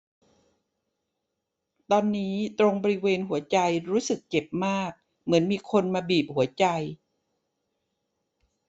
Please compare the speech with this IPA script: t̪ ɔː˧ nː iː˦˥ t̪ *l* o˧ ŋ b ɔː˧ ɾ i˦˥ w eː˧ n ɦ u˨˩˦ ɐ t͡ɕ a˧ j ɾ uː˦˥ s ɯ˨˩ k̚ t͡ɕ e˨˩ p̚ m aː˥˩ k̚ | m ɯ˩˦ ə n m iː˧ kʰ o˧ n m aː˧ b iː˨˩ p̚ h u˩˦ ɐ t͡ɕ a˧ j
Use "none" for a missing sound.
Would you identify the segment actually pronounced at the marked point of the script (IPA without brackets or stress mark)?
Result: ɾ